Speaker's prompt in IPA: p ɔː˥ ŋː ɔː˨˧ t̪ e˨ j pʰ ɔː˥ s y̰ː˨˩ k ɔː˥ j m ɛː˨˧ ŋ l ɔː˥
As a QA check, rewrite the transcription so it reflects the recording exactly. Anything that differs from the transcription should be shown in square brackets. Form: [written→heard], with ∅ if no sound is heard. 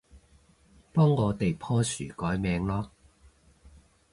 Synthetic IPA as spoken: p ɔː˥ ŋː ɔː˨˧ t̪ e˨ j pʰ ɔː˥ s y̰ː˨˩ k [ɔː˥→ɔː˨˥] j m ɛː˨˧ ŋ l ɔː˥